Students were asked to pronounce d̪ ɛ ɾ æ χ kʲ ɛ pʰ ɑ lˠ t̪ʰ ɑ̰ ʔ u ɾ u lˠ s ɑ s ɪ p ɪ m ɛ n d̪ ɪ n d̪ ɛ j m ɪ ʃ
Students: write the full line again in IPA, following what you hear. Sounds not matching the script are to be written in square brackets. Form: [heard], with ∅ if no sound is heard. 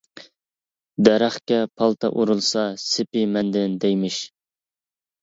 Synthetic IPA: d̪ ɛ ɾ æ χ kʲ ɛ pʰ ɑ lˠ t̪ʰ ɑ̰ ʔ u ɾ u lˠ s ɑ s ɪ p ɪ m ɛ n d̪ ɪ n d̪ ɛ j m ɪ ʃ